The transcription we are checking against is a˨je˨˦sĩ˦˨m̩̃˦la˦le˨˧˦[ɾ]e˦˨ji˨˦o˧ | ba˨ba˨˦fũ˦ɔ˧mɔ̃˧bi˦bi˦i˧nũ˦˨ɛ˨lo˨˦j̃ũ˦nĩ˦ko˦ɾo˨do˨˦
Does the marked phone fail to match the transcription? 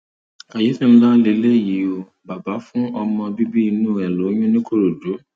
yes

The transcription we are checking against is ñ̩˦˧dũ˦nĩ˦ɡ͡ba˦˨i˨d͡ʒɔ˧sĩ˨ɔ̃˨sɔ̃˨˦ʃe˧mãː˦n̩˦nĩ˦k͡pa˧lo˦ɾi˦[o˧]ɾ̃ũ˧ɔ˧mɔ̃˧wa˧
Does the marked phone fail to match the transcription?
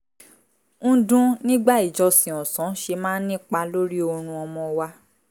no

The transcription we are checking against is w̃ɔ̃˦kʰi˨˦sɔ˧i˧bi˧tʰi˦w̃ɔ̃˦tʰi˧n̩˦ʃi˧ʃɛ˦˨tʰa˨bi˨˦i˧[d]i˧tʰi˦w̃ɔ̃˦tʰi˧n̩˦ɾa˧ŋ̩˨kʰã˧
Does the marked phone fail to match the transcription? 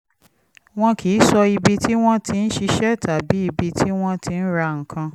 yes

